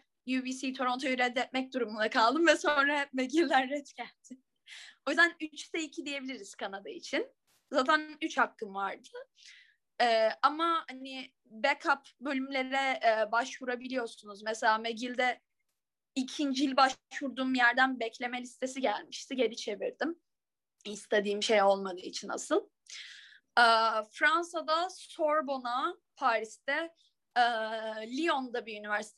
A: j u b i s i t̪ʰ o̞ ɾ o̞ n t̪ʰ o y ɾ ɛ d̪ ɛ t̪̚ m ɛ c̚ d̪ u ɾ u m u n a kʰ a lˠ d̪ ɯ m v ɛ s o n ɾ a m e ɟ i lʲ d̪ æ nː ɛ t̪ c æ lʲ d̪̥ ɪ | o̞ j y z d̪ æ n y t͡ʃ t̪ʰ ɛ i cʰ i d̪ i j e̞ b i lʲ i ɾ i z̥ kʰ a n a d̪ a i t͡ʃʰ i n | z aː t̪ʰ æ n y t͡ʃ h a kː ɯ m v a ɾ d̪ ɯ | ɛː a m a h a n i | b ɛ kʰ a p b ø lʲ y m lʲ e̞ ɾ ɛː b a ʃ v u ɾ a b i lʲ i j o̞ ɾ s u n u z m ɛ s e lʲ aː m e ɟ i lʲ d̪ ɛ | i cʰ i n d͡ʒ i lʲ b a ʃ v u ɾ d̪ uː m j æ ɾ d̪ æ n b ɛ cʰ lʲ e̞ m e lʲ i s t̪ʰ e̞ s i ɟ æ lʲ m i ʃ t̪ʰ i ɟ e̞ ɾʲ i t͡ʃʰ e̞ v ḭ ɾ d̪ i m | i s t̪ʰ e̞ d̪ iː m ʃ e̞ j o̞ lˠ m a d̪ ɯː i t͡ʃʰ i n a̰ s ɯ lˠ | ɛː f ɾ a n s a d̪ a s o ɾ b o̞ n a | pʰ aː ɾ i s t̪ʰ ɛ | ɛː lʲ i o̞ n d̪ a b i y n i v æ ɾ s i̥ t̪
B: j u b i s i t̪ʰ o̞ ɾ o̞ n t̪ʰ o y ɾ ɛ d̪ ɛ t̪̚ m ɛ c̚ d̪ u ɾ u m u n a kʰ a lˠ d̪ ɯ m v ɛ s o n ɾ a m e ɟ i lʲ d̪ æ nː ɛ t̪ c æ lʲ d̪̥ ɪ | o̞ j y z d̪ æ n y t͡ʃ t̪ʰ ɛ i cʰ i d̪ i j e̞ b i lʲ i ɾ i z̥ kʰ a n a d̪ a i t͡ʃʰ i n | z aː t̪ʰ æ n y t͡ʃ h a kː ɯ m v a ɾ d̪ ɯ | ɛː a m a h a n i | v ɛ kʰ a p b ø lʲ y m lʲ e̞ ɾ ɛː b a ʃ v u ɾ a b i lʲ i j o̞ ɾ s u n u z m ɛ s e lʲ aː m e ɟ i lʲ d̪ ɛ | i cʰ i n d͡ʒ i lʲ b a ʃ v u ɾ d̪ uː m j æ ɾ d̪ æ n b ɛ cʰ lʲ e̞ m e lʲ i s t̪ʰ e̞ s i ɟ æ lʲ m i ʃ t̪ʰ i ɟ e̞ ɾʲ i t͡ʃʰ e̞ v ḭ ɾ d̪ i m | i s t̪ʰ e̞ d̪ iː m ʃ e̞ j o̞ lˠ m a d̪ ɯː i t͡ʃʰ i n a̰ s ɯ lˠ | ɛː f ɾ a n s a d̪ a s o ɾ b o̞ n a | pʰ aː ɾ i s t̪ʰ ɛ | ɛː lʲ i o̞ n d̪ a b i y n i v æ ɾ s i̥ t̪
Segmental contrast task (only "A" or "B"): A